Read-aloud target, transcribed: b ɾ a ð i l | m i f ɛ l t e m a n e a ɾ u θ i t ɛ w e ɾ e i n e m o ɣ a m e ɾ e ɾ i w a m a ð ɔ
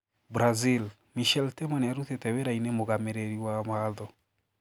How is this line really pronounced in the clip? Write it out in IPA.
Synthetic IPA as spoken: b ɾ a z i l | m i ʃ ɛ l t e m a n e a ɾ u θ e t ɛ w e ɾ a i n e m o ɣ a m e ɾ e ɾ i w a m a ð ɔ